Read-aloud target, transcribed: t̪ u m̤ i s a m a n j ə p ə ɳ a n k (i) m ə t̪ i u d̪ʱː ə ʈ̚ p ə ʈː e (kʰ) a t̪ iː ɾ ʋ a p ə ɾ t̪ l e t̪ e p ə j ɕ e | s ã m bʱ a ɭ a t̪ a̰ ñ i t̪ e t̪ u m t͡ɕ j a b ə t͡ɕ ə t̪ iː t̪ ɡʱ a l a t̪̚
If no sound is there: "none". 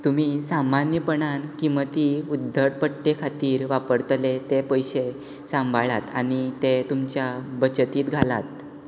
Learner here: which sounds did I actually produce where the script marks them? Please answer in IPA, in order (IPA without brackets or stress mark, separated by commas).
i, kʰ